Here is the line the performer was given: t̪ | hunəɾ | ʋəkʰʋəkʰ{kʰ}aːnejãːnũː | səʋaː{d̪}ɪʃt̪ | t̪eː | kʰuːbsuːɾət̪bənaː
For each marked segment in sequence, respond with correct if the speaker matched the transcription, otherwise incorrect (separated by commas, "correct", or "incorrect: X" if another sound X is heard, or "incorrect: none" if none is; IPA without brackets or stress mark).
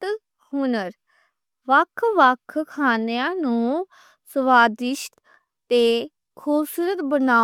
correct, correct